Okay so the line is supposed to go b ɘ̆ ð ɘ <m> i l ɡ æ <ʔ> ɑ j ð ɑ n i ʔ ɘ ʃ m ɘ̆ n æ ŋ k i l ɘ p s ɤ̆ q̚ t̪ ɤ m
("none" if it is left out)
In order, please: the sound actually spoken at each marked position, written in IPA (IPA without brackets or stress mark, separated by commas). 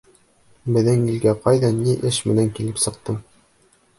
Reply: ŋ, q